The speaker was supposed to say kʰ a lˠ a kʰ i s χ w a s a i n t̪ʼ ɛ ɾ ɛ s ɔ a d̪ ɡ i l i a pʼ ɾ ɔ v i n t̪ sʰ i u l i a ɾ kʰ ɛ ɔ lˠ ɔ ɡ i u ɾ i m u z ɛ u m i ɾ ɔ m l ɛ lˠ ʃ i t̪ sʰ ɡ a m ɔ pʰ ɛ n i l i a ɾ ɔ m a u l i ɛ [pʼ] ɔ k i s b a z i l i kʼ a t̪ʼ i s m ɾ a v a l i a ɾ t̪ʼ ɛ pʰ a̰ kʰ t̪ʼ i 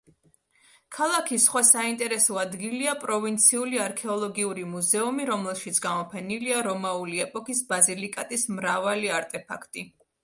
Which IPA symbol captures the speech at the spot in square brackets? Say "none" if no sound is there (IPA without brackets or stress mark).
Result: pʼ